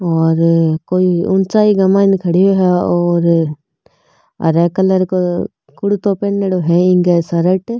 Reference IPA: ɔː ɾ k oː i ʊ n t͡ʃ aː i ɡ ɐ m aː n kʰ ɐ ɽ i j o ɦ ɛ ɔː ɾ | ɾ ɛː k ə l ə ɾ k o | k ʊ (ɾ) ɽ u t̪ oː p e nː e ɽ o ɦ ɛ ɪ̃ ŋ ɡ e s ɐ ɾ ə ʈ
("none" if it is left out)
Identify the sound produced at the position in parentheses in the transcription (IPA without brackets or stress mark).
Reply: none